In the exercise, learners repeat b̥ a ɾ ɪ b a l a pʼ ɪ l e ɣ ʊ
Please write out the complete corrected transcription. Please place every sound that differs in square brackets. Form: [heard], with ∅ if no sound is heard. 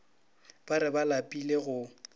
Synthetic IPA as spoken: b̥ a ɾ ɪ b a l a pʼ [i] l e ɣ ʊ